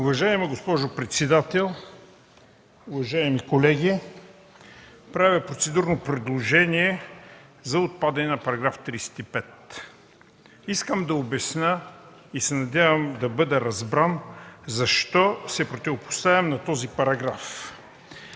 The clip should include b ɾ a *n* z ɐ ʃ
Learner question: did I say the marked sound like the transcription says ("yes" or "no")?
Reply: yes